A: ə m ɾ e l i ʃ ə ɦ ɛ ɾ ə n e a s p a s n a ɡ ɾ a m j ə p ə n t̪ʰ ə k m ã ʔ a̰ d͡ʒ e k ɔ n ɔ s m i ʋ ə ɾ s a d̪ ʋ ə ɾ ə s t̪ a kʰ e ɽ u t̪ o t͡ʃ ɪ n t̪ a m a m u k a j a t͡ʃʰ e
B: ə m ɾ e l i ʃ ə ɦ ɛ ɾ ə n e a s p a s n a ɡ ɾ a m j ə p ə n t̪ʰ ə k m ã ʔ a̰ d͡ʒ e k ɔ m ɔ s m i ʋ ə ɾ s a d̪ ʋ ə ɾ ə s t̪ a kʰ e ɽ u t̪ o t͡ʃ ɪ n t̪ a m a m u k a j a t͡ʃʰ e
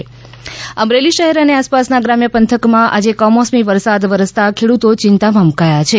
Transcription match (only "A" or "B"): B